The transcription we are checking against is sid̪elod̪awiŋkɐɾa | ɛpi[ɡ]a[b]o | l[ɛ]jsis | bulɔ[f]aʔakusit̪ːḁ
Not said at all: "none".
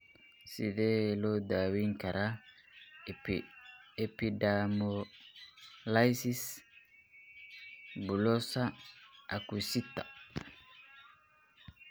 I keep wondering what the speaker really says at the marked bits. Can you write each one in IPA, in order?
d, m, a, s

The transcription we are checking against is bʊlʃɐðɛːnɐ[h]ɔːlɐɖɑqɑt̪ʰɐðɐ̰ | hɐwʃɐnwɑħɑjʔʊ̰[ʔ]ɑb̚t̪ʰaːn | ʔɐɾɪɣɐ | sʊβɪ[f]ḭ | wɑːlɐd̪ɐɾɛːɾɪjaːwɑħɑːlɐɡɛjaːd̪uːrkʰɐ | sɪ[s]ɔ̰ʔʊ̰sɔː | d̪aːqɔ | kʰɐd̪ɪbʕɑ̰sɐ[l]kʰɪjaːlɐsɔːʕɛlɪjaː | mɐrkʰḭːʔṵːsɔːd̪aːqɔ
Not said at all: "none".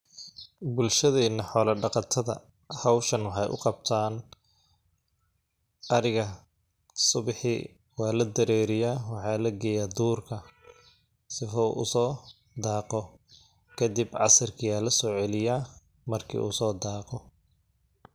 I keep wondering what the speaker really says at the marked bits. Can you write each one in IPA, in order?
ħ, q, ħ, f, r

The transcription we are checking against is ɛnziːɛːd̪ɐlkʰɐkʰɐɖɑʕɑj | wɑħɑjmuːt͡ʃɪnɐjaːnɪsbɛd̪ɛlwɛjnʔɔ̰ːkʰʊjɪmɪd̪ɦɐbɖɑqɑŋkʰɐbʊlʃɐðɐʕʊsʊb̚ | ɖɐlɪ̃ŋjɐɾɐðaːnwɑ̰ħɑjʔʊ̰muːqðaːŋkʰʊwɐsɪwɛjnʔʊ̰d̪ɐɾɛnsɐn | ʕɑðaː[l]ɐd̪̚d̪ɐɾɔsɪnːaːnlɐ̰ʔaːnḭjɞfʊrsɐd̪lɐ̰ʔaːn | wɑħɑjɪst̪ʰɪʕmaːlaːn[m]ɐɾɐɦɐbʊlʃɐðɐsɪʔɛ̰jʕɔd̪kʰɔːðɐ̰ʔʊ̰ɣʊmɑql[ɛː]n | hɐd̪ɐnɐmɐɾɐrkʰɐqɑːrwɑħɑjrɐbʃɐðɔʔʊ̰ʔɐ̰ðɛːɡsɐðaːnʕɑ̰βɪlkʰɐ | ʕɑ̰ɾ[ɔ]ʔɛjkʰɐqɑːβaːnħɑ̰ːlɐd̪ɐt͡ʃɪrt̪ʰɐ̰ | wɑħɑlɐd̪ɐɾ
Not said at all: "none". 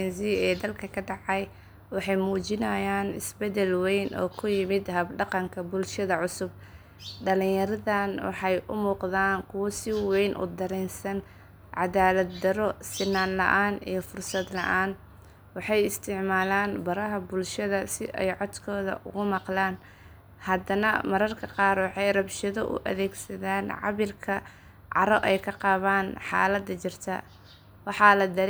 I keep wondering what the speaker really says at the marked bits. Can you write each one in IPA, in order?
l, b, aː, ɔ

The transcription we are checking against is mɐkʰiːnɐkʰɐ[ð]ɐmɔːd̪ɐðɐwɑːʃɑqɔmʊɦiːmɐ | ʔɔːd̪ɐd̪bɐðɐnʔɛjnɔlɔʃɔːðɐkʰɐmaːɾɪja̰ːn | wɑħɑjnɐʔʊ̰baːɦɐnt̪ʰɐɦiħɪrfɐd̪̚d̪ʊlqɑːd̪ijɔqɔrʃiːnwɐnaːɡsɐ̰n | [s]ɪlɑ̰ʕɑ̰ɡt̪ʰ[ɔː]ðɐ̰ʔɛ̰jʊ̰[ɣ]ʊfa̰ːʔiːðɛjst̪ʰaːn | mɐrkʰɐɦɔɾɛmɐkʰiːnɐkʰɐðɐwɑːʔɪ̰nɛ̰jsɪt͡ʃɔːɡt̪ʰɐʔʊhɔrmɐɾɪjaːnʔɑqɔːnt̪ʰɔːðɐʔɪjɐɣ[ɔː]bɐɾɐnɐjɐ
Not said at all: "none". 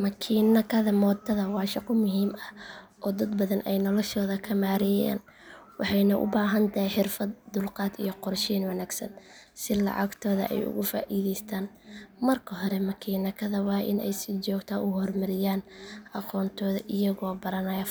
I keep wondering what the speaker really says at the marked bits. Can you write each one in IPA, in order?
ð, s, ɔː, ɣ, ɔː

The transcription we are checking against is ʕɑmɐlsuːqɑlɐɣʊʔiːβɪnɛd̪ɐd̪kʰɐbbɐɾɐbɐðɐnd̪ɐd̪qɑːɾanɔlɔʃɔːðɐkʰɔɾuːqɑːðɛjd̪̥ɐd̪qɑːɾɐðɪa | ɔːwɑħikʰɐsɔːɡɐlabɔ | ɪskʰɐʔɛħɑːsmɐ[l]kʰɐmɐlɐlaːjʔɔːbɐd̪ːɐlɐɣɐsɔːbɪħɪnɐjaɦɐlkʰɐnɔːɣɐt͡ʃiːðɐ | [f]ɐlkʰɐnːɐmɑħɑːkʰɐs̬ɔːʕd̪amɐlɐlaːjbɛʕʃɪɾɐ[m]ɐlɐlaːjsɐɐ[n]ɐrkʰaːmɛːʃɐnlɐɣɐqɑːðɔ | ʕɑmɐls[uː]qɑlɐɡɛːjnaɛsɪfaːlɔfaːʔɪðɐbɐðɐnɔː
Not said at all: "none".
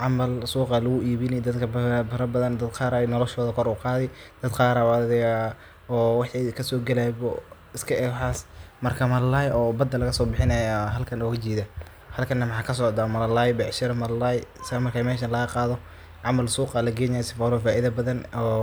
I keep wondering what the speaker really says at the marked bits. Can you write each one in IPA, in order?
r, h, m, m, uː

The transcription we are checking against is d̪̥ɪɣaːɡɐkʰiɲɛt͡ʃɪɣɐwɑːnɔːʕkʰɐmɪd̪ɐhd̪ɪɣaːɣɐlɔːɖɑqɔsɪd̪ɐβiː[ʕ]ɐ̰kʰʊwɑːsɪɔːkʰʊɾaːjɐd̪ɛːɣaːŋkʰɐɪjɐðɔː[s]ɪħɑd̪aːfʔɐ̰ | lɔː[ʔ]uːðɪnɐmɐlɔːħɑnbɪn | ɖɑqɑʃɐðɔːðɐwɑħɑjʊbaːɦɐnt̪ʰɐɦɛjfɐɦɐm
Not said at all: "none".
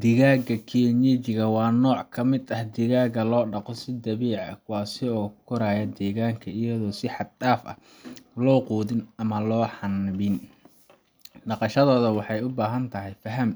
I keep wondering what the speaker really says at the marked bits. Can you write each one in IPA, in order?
ʕ, s, q

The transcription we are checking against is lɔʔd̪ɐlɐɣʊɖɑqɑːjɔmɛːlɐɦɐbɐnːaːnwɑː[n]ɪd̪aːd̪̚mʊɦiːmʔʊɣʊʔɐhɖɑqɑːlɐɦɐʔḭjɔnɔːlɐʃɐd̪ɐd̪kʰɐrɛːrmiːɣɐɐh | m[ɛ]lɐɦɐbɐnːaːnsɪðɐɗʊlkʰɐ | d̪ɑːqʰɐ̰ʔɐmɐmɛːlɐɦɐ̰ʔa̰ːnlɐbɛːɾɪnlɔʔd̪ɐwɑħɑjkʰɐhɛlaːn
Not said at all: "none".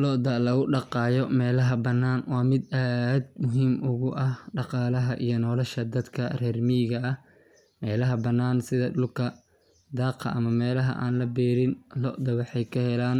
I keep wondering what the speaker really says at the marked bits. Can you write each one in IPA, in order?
m, ɛː

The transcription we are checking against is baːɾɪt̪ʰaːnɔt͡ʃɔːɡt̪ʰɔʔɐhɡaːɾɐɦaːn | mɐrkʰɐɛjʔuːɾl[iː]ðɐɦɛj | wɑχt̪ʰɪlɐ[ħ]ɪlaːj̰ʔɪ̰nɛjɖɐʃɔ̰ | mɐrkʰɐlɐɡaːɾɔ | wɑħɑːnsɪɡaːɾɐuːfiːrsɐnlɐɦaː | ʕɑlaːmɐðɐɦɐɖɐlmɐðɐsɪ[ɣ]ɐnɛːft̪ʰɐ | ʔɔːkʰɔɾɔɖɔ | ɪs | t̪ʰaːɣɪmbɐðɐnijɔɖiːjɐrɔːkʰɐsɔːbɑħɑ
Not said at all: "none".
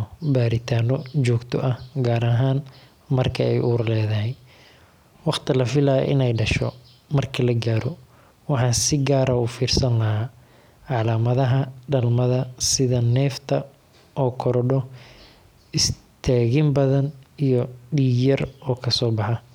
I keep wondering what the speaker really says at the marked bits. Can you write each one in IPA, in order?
ɛː, f, ð

